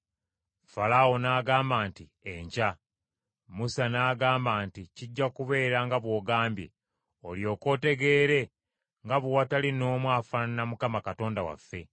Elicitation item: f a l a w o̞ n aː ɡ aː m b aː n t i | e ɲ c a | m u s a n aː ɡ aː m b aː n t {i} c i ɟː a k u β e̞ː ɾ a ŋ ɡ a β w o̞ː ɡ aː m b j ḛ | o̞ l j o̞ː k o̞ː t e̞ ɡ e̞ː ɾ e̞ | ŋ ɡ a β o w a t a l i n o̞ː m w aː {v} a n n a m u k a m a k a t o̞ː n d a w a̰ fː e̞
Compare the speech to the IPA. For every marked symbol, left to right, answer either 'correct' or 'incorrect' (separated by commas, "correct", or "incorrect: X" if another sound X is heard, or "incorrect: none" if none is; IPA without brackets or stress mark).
correct, incorrect: f